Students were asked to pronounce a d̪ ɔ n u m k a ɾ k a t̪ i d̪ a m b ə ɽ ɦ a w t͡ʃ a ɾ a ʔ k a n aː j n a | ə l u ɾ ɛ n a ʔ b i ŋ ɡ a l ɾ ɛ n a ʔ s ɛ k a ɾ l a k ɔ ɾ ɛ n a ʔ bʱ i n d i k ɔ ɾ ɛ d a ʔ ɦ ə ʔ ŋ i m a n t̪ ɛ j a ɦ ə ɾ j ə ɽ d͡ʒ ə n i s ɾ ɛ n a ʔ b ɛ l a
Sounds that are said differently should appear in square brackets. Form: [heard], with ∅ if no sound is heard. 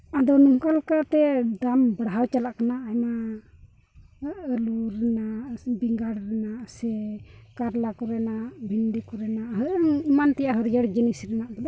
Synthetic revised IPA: a d̪ ɔ n u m k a [l] k a t̪ [ɛ] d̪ a m b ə ɽ ɦ a w t͡ʃ a [l] a ʔ k a n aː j [m] a | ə l u ɾ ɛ n a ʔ b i ŋ ɡ a [ɽ] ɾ ɛ n a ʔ s ɛ k a ɾ l a k ɔ ɾ ɛ n a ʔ bʱ i n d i k ɔ ɾ ɛ [n] a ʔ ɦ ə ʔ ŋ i m a n t̪ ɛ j a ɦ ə ɾ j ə ɽ d͡ʒ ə n i s ɾ ɛ n a ʔ b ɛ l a